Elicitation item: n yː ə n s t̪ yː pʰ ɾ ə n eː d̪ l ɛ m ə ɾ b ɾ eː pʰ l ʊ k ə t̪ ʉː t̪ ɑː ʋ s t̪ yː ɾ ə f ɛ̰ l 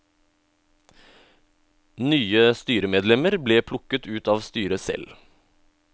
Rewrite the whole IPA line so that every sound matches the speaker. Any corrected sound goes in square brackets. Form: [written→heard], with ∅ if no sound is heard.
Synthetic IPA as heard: n yː ə [n→∅] s t̪ yː [pʰ→∅] ɾ ə [n→m] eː d̪ l ɛ m ə ɾ b [ɾ→l] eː pʰ l ʊ k ə t̪ ʉː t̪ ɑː ʋ s t̪ yː ɾ ə [f→s] ɛ̰ l